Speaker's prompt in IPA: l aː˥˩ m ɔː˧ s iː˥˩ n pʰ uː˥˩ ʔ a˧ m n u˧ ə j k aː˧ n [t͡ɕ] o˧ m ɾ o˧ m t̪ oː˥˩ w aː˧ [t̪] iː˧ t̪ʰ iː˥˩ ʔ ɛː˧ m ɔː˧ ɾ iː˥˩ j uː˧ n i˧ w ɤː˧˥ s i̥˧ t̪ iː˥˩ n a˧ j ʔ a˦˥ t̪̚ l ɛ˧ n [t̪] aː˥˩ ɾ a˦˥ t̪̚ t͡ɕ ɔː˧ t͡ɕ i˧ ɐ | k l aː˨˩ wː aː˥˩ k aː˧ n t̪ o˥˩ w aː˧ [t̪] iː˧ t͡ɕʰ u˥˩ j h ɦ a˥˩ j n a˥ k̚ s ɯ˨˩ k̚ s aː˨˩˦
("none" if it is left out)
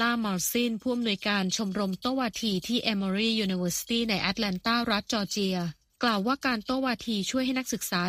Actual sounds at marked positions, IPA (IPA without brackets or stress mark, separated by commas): t͡ɕʰ, t̪ʰ, t̪, t̪ʰ